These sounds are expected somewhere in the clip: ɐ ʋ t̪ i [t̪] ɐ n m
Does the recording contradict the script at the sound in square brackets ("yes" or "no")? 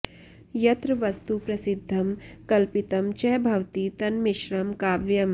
no